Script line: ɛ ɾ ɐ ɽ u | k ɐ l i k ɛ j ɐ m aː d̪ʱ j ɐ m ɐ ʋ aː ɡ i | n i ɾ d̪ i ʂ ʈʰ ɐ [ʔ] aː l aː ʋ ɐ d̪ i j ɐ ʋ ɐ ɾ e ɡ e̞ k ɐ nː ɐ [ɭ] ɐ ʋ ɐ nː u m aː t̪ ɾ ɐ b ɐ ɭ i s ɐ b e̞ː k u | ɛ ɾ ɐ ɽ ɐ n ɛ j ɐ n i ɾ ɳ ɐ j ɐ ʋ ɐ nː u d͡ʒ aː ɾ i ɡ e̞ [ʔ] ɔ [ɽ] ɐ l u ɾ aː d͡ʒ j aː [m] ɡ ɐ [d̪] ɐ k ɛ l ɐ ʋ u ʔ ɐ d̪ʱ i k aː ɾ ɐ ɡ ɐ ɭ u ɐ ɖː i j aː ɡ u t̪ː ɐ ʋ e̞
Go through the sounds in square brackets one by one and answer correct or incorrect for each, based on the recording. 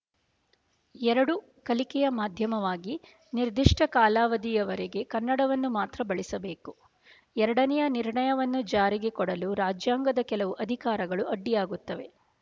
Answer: incorrect: k, incorrect: ɽ, incorrect: k, correct, incorrect: ŋ, correct

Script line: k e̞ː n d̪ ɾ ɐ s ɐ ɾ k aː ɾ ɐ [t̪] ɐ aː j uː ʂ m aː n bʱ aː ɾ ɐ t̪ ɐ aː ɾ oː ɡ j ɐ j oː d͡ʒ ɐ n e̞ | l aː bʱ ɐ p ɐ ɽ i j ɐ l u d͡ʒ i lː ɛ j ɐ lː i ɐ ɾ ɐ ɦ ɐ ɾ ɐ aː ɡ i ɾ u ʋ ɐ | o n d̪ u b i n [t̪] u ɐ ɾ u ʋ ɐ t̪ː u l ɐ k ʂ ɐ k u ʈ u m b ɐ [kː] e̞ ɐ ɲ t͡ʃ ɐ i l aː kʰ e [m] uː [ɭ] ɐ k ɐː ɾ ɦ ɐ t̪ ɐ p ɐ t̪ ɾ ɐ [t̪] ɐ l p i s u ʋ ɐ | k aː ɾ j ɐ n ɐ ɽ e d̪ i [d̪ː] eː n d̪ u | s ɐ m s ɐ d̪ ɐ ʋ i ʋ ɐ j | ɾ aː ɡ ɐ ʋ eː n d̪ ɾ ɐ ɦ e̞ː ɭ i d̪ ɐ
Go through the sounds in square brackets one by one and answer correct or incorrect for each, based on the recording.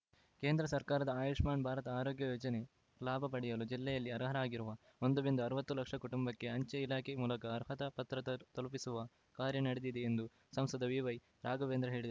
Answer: incorrect: d̪, incorrect: d̪, correct, correct, incorrect: l, correct, incorrect: d̪

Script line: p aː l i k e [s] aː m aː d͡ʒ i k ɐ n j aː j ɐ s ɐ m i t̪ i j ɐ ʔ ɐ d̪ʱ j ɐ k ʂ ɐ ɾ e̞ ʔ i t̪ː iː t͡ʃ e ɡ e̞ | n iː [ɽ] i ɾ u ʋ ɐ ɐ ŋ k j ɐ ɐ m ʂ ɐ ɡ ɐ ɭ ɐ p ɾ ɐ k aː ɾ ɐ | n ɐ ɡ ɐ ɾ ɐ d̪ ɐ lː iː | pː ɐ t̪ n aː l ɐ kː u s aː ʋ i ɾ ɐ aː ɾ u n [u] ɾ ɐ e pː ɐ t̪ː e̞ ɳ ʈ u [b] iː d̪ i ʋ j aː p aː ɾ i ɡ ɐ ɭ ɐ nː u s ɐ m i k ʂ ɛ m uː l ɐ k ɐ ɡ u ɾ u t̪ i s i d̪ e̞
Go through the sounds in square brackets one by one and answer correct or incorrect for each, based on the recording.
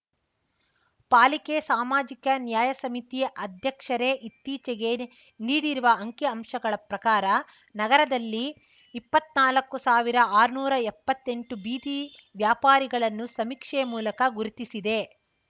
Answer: correct, correct, incorrect: uː, correct

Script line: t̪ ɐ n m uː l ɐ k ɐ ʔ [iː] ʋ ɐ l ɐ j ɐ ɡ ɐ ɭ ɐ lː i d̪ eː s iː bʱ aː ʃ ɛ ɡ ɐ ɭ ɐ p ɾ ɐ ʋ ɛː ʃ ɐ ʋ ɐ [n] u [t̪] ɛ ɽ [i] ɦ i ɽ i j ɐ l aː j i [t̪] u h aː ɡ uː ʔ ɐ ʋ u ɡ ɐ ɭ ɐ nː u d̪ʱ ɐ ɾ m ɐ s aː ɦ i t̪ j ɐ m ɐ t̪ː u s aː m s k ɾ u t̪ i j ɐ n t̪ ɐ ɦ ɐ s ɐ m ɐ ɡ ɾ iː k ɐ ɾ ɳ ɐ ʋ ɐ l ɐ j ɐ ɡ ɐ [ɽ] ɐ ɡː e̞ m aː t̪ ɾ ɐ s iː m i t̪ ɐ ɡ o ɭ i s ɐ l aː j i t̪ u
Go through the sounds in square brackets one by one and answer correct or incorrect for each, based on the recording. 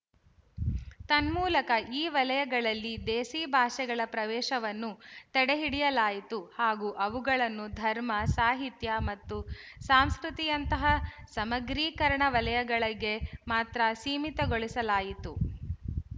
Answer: correct, incorrect: nː, correct, incorrect: e, correct, incorrect: ɭ

